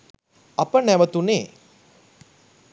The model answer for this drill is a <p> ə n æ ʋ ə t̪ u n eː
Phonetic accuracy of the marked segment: correct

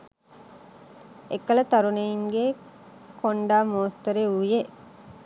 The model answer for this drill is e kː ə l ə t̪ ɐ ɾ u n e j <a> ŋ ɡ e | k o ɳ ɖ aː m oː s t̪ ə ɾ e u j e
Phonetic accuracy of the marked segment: incorrect: i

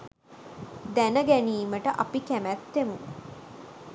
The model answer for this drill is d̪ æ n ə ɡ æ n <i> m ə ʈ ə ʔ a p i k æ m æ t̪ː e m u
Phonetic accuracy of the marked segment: incorrect: iː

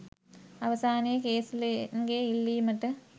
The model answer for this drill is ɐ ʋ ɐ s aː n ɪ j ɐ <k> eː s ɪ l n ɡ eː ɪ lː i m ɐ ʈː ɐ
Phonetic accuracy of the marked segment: correct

